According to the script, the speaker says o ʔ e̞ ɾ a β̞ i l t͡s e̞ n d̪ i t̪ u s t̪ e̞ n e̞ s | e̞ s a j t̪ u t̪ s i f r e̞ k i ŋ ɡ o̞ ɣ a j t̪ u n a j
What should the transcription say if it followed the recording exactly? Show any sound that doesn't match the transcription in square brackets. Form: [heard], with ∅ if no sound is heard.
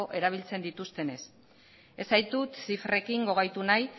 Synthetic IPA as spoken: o ʔ e̞ ɾ a β̞ i l t͡s e̞ n d̪ i t̪ u s t̪ e̞ n e̞ s | e̞ s a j t̪ u t̪ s i f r e̞ k i ŋ ɡ o̞ ɣ a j t̪ u n a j